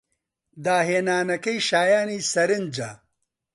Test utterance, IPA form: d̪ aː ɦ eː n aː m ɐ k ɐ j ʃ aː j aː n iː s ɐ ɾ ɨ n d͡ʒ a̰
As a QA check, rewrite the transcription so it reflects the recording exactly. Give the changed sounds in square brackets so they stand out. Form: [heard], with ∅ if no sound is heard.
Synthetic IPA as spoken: d̪ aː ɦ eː n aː [n] ɐ k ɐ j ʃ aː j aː n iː s ɐ ɾ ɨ n d͡ʒ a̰